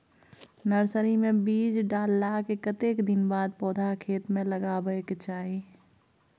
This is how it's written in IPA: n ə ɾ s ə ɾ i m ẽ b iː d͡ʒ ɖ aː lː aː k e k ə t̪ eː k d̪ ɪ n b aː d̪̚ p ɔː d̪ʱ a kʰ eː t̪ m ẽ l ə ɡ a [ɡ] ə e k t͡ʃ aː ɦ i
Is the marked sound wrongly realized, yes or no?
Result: yes